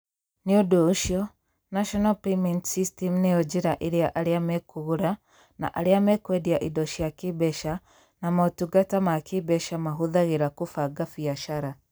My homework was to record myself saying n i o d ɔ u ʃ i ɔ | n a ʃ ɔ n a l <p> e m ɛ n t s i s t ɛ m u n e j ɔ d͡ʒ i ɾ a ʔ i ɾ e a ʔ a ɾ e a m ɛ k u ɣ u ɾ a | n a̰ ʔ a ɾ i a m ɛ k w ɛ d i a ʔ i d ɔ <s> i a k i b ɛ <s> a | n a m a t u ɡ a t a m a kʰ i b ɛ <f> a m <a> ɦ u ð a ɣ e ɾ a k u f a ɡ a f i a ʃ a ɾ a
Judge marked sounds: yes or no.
yes, no, no, no, yes

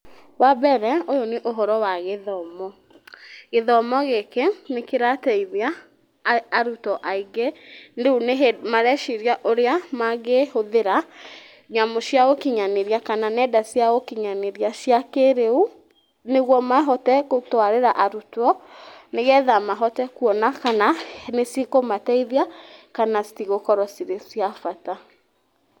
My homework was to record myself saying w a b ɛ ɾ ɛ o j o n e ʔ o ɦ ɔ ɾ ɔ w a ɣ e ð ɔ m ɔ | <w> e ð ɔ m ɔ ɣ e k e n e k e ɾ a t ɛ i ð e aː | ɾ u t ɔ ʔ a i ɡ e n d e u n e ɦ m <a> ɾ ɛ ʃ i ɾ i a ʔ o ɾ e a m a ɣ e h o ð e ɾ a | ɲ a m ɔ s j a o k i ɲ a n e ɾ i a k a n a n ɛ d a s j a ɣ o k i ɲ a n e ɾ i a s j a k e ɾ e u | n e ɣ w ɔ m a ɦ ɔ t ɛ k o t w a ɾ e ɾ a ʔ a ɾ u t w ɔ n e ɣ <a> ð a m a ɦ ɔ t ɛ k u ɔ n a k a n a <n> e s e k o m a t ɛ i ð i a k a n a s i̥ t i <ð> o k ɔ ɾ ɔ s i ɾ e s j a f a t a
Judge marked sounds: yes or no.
no, yes, no, yes, no

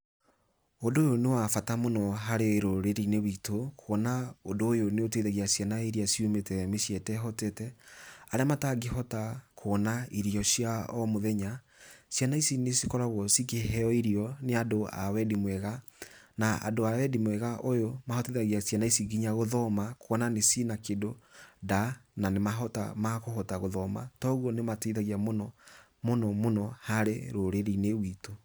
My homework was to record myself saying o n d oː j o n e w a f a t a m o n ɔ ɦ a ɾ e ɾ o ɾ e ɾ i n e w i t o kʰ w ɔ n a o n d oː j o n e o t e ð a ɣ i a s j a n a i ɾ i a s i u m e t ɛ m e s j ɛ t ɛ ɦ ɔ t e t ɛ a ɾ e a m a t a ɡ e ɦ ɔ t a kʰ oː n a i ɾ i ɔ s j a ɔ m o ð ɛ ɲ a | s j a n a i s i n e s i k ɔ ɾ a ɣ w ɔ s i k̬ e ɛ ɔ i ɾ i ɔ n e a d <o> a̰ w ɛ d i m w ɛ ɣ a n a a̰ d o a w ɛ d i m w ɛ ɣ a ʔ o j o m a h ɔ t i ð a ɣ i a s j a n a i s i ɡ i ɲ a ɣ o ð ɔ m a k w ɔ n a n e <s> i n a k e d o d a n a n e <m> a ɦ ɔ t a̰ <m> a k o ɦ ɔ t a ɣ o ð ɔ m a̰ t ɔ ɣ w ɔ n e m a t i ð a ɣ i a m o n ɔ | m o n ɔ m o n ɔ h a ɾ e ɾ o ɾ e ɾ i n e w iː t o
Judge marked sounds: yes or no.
yes, yes, yes, yes

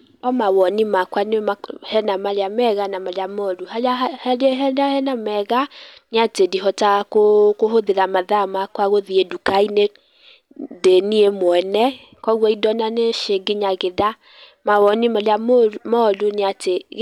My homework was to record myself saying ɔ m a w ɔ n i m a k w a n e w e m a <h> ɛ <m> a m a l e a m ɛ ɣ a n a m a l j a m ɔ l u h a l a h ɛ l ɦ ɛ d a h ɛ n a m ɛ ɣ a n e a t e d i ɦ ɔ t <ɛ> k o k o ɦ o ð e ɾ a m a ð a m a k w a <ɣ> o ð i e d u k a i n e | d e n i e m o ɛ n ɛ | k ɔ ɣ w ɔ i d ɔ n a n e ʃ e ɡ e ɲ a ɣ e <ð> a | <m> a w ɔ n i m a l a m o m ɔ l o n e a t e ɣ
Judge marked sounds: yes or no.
yes, no, no, yes, yes, yes

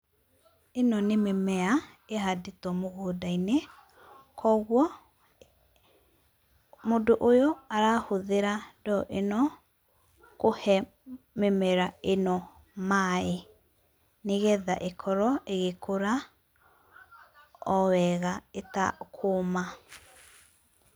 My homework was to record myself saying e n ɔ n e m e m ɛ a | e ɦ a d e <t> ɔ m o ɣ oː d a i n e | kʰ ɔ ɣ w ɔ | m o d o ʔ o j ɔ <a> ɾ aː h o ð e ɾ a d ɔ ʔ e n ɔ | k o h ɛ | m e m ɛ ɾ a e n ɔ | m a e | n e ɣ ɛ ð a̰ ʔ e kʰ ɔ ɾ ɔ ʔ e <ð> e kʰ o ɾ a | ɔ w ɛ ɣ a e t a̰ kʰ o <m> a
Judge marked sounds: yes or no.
yes, yes, no, yes

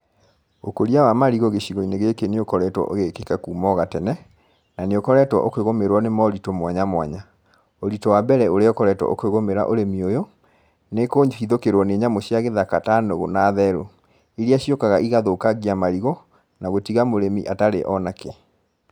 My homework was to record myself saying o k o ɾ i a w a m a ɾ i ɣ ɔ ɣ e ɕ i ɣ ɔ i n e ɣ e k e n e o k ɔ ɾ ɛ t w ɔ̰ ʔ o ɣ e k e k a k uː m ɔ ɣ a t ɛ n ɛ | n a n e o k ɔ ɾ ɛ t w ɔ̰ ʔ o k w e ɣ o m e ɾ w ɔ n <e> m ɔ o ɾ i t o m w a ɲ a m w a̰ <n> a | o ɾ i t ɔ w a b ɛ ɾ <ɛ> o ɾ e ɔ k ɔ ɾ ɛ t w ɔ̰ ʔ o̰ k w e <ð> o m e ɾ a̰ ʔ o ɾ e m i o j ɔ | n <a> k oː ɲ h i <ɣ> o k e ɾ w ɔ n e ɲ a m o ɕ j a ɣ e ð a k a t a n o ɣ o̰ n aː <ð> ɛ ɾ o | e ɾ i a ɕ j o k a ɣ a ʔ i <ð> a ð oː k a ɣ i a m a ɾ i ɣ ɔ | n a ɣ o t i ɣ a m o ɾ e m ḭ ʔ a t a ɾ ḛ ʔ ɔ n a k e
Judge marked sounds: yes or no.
yes, no, yes, no, no, no, yes, no

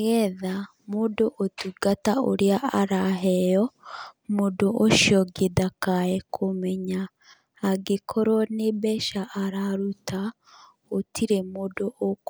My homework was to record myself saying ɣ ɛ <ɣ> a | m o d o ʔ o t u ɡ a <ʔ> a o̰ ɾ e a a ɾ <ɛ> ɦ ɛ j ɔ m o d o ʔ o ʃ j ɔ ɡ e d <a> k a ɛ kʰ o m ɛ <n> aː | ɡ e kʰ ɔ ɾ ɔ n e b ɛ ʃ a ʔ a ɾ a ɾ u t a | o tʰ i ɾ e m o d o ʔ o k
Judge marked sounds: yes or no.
no, no, no, yes, no

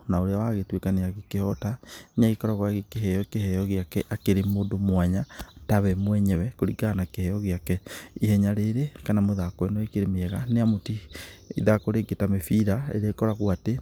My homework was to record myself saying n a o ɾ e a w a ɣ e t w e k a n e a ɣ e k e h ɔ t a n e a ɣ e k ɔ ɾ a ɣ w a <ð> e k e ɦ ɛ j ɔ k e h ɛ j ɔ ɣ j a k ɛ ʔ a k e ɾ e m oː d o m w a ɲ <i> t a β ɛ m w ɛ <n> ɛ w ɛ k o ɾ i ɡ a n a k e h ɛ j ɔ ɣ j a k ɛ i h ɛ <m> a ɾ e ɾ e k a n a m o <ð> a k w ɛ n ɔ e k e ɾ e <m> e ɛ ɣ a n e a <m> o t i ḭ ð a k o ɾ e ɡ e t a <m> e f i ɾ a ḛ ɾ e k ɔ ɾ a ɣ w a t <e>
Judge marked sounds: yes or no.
no, no, no, no, yes, yes, yes, yes, yes

